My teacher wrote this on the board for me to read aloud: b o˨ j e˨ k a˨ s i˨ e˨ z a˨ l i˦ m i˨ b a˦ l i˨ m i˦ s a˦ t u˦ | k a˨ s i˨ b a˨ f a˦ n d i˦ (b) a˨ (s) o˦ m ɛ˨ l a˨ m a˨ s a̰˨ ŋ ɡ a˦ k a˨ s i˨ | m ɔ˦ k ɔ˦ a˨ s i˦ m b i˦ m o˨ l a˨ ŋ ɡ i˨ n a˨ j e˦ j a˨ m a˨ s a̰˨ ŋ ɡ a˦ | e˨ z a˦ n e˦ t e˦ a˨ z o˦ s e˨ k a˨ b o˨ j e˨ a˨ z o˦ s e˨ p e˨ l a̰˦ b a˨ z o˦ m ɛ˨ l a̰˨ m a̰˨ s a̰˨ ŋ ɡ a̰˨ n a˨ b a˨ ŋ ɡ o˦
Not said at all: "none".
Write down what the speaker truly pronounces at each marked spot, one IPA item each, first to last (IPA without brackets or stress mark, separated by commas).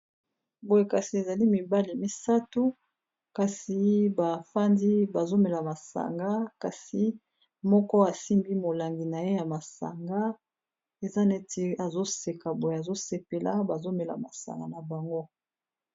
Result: b, z